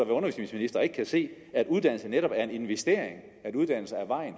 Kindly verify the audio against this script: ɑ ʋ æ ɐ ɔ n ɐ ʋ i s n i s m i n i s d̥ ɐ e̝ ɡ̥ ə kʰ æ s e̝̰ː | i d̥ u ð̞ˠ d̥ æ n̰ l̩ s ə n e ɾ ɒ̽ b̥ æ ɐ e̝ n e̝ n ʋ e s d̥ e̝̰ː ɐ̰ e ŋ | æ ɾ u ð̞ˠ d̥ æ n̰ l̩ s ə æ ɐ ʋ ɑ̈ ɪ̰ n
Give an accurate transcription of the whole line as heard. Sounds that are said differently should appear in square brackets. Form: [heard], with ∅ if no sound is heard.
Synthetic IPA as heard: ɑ ʋ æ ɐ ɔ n ɐ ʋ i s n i s m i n i s d̥ ɐ e̝ ɡ̥ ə kʰ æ s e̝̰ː | [æ] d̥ u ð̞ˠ d̥ æ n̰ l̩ s ə n e ɾ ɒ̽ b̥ æ ɐ e̝ n e̝ n ʋ e s d̥ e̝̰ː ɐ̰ e ŋ | æ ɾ u ð̞ˠ d̥ æ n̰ l̩ s ə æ ɐ ʋ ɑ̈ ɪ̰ n

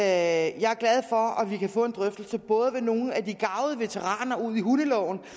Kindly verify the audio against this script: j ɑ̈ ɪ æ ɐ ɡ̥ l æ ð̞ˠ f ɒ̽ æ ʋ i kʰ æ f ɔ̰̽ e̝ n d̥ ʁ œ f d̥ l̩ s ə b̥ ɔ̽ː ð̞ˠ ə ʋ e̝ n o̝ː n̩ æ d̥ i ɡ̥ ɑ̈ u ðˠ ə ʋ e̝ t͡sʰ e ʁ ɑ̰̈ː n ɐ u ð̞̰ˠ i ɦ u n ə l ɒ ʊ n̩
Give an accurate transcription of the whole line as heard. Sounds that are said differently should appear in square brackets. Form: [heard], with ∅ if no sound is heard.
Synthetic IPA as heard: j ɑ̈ ɪ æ ɐ ɡ̥ l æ ð̞ˠ f ɒ̽ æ ʋ i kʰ æ f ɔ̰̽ e̝ n d̥ ʁ œ f d̥ l̩ s ə b̥ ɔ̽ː ð̞ˠ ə ʋ e̝ n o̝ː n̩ æ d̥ i ɡ̥ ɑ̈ [ʊ] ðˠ ə ʋ e̝ t͡sʰ e ʁ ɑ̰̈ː n ɐ u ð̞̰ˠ i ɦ u n ə l ɒ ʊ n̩

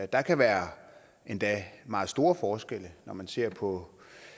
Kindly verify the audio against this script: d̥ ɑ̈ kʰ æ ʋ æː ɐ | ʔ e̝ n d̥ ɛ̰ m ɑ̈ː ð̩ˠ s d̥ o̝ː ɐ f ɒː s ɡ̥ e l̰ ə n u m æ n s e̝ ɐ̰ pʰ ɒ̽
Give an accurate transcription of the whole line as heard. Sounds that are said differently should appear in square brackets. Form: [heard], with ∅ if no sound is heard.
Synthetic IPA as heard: d̥ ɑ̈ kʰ æ ʋ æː ɐ | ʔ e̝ n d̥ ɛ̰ m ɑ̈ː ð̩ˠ s d̥ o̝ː ɐ f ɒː s ɡ̥ e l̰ ə n [ɒ] m æ n s e̝ ɐ̰ pʰ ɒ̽

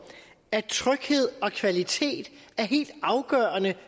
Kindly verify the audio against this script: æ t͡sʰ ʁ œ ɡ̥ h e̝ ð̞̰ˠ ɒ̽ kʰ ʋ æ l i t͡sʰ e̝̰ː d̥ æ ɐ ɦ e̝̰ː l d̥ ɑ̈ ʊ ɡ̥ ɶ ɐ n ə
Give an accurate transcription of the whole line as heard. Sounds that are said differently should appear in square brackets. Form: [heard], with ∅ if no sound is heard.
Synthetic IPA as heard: æ t͡sʰ ʁ œ ɡ̥ h e̝ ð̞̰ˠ ɒ̽ kʰ ʋ æ l i t͡sʰ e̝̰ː d̥ æ ɐ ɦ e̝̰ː l d̥ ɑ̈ ʊ ɡ̥ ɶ ɐ n ə

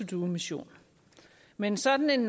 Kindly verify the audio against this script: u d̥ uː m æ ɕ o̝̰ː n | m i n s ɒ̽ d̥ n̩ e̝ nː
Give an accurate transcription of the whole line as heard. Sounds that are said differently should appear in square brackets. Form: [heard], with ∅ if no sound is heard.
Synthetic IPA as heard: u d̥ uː m [i] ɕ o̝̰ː n | m [e] n s ɒ̽ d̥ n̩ e̝ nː

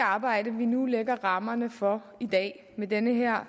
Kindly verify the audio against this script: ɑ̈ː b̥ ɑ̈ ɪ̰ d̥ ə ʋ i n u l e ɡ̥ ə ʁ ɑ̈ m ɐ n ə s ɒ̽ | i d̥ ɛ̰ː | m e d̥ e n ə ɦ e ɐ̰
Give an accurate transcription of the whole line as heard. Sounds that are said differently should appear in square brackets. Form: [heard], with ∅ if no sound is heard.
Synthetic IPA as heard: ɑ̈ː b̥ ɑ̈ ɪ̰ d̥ ə ʋ i n u l e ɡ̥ [ɐ] ʁ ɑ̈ m ɐ n ə [f] ɒ̽ | i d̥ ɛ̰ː | m e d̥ e n ə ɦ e ɐ̰

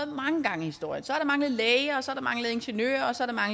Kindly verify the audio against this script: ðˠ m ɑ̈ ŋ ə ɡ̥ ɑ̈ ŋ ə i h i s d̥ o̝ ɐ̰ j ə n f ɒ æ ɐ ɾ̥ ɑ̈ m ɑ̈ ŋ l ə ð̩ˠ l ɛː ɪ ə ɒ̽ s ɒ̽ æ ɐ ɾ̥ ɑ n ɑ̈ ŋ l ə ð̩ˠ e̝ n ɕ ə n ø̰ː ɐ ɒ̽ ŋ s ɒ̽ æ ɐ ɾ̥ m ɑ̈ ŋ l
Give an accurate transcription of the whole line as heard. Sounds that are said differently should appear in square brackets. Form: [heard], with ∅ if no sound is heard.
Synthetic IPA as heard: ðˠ m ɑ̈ ŋ ə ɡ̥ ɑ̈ ŋ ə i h i s d̥ o̝ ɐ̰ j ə n [s] ɒ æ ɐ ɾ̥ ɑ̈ m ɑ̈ ŋ l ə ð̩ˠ l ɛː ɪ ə ɒ̽ s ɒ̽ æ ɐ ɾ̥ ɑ [m] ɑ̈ ŋ l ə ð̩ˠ e̝ n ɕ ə n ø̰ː ɐ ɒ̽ [∅] s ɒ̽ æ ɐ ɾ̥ m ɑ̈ ŋ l

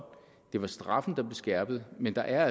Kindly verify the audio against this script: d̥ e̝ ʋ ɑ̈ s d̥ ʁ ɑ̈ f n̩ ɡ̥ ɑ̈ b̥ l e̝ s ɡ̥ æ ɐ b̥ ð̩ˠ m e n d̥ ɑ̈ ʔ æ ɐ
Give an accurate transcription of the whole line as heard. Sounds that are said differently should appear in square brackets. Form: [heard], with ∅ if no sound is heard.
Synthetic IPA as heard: d̥ e̝ ʋ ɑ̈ s d̥ ʁ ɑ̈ f n̩ [d̥] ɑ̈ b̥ l e̝ s ɡ̥ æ ɐ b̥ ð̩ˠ m e n d̥ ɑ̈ ʔ æ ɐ

